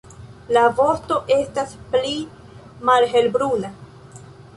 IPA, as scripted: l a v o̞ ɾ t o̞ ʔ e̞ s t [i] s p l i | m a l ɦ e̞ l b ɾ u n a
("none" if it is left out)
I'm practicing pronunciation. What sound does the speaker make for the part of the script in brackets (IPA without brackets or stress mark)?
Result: a